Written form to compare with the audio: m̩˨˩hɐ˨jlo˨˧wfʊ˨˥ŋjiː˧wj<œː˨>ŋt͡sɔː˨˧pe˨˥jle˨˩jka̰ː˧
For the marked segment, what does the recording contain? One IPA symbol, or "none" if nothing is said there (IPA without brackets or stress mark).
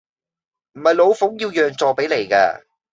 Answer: œː˨